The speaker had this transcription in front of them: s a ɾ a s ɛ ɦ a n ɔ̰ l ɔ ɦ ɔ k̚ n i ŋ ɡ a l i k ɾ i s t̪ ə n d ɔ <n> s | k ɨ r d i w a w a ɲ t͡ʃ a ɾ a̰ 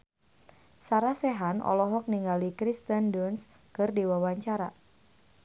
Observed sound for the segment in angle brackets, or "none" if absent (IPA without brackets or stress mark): n